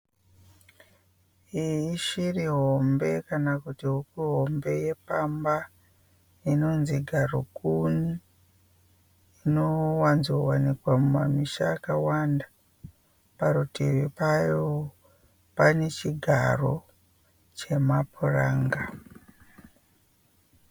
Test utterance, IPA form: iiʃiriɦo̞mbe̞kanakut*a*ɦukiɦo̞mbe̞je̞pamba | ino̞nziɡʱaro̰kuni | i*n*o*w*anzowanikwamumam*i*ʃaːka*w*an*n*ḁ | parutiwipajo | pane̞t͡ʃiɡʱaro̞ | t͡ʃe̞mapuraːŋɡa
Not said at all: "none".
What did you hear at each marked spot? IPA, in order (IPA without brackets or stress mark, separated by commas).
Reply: i, n, w, i, w, d